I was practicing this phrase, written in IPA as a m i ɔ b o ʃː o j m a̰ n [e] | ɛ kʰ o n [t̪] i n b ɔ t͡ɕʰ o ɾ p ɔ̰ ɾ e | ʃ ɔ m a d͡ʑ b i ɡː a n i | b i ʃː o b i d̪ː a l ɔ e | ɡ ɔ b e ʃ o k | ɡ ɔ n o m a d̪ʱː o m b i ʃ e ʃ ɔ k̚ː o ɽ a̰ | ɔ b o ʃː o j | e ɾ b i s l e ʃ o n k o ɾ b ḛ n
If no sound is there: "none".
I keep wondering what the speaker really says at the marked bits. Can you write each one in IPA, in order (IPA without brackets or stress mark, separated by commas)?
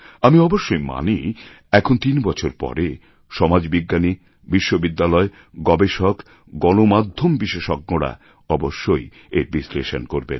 i, t̪